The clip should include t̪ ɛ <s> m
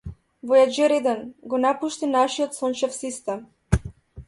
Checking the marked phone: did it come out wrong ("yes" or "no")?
yes